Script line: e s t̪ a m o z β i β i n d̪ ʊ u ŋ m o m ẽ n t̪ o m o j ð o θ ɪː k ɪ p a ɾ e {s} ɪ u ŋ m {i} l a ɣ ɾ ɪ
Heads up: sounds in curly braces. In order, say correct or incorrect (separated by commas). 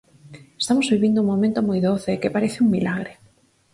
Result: incorrect, correct